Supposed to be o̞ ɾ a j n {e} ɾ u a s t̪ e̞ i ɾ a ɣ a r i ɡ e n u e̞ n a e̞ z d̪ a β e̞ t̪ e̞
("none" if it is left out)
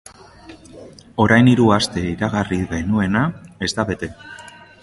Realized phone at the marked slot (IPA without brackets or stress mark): i